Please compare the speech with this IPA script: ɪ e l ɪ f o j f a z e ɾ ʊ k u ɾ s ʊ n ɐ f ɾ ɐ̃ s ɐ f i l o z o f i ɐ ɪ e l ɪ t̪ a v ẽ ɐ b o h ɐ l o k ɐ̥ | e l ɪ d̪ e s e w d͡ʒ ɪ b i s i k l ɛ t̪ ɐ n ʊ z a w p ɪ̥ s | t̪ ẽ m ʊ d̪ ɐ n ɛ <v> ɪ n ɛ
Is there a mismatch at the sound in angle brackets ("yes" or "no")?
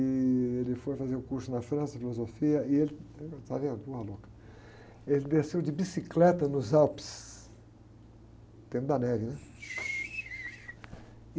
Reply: no